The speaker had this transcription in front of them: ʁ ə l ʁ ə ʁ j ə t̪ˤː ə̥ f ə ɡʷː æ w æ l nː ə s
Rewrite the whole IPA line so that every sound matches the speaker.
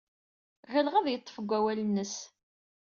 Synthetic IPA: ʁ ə l ʁ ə ð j ə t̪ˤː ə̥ f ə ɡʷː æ w æ l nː ə s